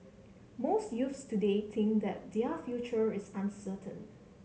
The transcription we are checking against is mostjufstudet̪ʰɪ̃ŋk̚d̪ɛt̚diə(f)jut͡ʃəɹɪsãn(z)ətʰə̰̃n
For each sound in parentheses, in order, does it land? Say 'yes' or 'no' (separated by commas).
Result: yes, no